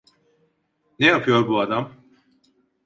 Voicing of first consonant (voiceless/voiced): voiced